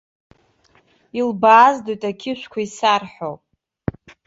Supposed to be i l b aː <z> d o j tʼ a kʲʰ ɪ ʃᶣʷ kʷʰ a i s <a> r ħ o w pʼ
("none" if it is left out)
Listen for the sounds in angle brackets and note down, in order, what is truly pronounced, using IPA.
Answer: z, a

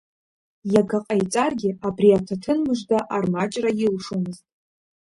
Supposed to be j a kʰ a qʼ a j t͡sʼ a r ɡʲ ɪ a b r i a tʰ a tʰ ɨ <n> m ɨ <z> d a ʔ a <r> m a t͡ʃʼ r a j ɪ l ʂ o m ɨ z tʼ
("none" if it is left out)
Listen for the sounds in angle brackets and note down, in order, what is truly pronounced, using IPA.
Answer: n, ʒ, r

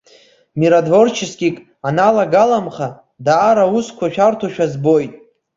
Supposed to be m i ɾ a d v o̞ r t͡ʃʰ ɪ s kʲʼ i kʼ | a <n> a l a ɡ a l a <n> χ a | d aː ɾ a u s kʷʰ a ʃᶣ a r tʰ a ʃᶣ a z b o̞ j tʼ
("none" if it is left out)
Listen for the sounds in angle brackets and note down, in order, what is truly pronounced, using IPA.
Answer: n, m

